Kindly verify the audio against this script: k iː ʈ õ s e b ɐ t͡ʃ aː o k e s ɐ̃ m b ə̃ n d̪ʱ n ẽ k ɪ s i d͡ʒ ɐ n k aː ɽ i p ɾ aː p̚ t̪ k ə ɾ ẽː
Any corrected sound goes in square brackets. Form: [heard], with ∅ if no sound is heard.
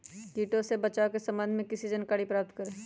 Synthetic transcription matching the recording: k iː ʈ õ s e b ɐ t͡ʃ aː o k e s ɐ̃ m b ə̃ n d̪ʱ [m] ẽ k ɪ s i d͡ʒ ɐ n k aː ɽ i p ɾ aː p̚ t̪ k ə ɾ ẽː

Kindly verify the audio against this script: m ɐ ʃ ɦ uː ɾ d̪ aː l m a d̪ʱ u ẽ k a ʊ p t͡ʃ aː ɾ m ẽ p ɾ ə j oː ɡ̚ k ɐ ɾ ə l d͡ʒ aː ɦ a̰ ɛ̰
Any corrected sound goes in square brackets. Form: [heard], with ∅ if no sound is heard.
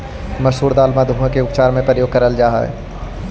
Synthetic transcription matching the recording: m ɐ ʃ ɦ uː ɾ d̪ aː l m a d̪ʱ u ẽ k [e] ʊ p t͡ʃ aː ɾ m ẽ p ɾ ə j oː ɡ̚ k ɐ ɾ ə l d͡ʒ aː ɦ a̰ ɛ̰

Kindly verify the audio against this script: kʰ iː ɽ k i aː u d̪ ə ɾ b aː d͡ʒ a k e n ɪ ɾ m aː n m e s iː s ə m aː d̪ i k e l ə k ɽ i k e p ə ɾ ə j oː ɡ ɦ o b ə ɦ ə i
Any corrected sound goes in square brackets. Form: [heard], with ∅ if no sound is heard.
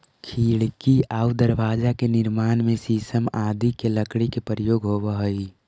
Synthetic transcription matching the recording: kʰ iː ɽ k i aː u d̪ ə ɾ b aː d͡ʒ a k e n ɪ ɾ m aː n m e s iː s ə m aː d̪ i k e l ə k ɽ i k e p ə ɾ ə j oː ɡ ɦ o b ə ɦ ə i

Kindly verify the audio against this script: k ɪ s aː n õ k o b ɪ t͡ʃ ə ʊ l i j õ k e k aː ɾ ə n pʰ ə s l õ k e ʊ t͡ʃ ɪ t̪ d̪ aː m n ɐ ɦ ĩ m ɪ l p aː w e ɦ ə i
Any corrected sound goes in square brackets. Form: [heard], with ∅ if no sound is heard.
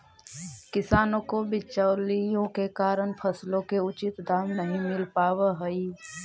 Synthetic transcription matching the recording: k ɪ s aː n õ k o b ɪ t͡ʃ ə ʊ l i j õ k e k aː ɾ ə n pʰ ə s l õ k e ʊ t͡ʃ ɪ t̪ d̪ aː m n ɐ ɦ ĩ m ɪ l p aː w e ɦ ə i

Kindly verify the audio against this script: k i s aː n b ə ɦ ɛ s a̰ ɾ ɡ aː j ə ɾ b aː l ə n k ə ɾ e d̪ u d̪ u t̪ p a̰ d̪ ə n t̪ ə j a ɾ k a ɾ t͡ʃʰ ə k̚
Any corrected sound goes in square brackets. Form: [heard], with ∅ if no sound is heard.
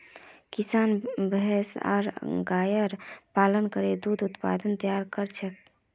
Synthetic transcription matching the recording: k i s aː n b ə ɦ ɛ s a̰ ɾ ɡ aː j ə ɾ [p] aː l ə n k ə ɾ e d̪ u d̪ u t̪ p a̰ d̪ ə n t̪ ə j a ɾ k [ə] ɾ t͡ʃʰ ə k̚

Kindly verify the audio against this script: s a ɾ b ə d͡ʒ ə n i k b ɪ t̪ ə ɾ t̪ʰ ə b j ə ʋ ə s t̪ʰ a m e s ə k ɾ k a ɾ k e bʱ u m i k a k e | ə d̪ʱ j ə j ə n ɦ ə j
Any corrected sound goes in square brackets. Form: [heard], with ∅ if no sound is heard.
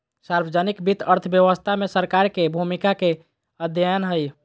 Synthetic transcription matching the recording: s a ɾ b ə d͡ʒ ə n i k b [i] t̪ ə ɾ t̪ʰ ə b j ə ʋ ə s t̪ʰ a m e s ə [∅] ɾ k a ɾ k e bʱ u m i k a k e | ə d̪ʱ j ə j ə n ɦ ə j

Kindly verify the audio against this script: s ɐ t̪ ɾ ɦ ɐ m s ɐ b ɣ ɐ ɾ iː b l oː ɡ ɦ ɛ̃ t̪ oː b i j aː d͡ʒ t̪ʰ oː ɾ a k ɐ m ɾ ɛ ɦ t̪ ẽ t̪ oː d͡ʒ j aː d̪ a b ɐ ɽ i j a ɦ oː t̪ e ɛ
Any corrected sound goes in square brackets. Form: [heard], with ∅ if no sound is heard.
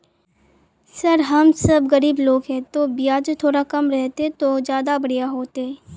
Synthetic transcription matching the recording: s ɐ [∅] ɾ ɦ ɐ m s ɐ b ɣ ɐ ɾ iː b l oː ɡ ɦ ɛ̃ t̪ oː b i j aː d͡ʒ t̪ʰ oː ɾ a k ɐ m ɾ ɛ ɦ t̪ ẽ t̪ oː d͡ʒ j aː d̪ a b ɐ ɽ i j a ɦ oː t̪ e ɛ

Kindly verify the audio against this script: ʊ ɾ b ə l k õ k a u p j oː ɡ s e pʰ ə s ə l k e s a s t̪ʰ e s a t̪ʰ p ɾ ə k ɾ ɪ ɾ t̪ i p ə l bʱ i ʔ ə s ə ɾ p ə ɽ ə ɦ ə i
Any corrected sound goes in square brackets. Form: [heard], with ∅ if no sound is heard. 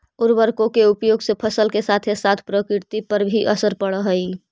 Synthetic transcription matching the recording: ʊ ɾ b ə [ɾ] k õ k [e] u p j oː ɡ s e pʰ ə s ə l k e s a [∅] t̪ʰ e s a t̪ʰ p ɾ ə k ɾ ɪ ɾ t̪ i p ə [ɾ] bʱ i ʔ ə s ə ɾ p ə ɽ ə ɦ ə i

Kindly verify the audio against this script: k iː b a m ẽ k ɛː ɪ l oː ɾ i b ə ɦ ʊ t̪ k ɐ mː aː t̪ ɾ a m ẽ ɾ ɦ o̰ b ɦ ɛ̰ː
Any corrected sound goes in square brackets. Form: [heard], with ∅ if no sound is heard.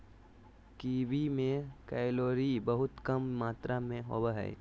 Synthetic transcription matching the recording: k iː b [i] m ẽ k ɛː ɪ l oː ɾ i b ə ɦ ʊ t̪ k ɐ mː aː t̪ ɾ a m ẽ [∅] ɦ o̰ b ɦ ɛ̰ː

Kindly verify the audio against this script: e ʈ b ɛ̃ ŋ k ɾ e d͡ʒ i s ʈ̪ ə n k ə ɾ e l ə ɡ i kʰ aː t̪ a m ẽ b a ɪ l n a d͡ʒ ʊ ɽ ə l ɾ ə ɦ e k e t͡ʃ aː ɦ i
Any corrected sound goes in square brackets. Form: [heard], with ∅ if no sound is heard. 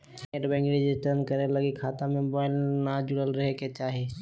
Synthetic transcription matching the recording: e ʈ b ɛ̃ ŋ k ɾ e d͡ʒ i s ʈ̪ ə n k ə ɾ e l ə ɡ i kʰ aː t̪ a m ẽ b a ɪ l n a d͡ʒ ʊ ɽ ə l ɾ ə ɦ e k e t͡ʃ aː ɦ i

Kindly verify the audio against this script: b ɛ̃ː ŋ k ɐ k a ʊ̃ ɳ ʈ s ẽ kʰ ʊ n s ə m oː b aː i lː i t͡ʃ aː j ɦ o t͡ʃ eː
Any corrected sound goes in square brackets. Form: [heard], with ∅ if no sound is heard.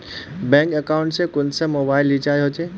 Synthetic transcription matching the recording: b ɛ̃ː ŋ k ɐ k a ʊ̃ ɳ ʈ s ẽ [k] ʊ n s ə m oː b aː [ɪ] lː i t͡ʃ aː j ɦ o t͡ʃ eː

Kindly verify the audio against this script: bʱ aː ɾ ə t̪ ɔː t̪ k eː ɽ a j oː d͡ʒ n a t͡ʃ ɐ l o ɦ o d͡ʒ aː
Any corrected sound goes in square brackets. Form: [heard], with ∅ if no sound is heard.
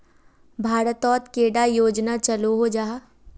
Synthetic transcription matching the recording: bʱ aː ɾ ə t̪ ɔː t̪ k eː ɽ a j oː d͡ʒ n a t͡ʃ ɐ l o ɦ o d͡ʒ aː

